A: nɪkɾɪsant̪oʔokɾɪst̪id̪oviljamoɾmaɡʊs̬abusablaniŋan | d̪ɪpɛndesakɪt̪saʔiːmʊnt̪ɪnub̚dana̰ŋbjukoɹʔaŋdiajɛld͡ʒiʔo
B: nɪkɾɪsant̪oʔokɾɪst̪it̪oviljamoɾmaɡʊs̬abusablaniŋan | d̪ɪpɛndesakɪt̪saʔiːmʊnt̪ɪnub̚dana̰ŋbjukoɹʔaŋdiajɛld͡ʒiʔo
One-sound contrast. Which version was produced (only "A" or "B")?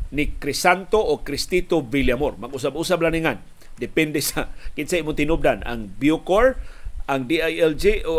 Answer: B